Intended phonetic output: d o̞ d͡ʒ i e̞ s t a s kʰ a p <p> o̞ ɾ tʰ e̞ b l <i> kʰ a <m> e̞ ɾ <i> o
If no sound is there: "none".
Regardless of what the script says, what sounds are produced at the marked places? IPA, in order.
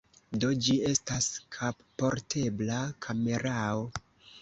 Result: p, a, m, a

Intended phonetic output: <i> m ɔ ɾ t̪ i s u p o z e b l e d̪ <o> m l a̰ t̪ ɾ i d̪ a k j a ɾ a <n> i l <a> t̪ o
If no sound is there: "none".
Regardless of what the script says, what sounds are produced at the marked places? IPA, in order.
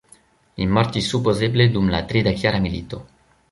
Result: i, u, m, i

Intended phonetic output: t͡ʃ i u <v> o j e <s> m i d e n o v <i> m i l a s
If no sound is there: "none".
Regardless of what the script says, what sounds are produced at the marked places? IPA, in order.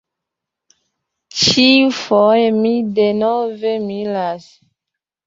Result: f, none, e

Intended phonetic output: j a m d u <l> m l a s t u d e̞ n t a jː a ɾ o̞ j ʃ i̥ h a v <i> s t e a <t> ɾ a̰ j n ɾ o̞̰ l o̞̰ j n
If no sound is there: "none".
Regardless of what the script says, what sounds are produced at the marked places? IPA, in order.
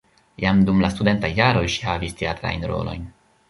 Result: none, i, t

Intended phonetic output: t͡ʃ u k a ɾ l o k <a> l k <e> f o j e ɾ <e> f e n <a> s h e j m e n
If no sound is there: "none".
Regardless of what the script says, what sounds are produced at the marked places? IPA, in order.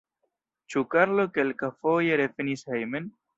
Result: e, a, e, i

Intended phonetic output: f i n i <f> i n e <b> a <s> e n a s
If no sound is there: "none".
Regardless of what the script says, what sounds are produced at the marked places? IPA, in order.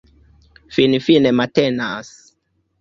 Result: f, m, t

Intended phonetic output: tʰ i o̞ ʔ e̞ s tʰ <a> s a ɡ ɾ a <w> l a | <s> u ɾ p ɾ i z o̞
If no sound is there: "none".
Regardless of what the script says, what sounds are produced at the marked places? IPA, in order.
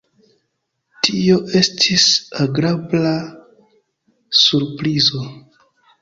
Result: i, b, s

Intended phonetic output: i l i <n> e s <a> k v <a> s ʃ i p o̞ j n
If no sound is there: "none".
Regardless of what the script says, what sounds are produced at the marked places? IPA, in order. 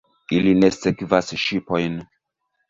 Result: n, e, a

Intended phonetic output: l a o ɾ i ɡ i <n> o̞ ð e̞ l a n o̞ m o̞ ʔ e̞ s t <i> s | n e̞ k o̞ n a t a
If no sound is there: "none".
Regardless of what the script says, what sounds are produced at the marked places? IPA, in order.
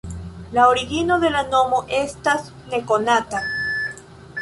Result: n, a

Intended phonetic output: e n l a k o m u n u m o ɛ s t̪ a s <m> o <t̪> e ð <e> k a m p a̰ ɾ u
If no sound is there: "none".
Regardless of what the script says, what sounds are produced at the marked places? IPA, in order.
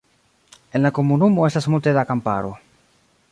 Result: m, t̪, a

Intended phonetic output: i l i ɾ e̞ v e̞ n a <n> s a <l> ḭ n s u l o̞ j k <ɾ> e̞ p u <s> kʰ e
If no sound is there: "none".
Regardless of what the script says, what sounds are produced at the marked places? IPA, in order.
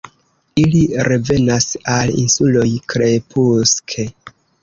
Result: none, l, ɾ, s

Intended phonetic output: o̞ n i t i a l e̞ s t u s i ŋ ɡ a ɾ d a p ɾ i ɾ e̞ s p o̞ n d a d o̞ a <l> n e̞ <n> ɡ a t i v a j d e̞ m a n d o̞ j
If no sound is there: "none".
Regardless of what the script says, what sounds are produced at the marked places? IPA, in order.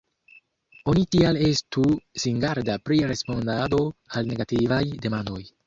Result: l, none

